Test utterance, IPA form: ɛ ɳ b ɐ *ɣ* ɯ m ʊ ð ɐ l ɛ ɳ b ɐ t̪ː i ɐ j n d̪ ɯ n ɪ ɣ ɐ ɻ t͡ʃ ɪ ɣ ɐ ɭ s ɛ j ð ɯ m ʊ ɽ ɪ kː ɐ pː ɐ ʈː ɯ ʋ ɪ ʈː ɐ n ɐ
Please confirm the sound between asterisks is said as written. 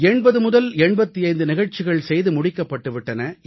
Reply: no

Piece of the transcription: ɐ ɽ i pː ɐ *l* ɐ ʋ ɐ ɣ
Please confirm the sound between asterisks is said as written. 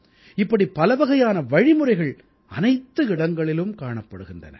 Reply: yes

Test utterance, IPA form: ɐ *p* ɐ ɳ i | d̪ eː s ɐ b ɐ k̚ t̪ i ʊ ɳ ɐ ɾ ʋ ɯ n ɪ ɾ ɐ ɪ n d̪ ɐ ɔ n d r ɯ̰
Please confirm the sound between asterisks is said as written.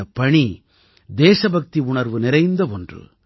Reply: yes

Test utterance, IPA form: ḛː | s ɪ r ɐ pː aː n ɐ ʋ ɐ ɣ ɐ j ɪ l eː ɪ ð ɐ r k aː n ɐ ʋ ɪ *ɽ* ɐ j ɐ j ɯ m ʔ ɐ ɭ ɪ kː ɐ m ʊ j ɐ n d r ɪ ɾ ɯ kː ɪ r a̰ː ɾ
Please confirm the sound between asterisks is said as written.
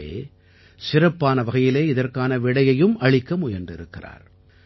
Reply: yes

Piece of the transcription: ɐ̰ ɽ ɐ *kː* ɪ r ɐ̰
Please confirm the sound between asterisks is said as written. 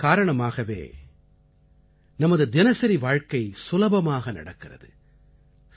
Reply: yes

